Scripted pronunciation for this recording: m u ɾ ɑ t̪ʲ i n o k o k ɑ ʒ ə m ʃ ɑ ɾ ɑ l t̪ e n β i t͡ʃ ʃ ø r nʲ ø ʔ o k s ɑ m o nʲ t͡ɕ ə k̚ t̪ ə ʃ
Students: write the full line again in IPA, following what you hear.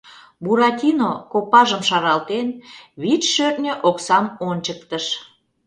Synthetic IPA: b u ɾ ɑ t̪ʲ i n o k o p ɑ ʒ ə m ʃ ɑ ɾ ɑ l t̪ e n β i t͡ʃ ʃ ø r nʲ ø ʔ o k s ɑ m o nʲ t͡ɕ ə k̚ t̪ ə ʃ